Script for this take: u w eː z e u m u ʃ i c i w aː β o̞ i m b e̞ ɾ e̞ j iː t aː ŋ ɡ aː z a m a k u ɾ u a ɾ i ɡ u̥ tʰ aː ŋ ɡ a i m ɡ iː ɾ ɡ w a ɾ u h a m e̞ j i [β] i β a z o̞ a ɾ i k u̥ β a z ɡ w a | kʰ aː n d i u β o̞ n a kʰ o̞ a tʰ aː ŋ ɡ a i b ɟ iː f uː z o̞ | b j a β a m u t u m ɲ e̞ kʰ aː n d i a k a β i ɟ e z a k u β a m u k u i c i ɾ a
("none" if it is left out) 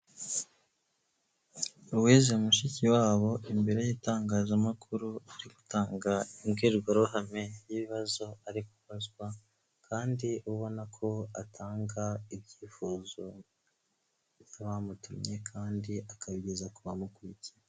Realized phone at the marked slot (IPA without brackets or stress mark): β